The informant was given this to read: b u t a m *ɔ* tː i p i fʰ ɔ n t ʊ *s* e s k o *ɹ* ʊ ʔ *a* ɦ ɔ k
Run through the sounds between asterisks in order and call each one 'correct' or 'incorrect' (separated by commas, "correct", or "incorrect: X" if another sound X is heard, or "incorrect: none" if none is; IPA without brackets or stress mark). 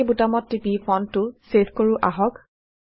correct, correct, correct, correct